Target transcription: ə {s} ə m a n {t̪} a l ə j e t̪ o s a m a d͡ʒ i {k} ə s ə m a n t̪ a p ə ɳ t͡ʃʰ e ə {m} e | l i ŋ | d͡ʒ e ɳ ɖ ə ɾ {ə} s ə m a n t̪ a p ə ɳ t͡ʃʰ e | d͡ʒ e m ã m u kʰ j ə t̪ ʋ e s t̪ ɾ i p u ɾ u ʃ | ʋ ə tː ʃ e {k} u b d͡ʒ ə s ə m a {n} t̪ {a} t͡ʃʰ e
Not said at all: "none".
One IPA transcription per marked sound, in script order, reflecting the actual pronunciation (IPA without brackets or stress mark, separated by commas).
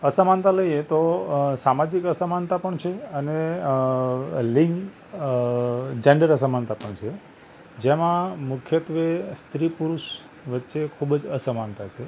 s, t̪, k, n, ə, kʰ, n, a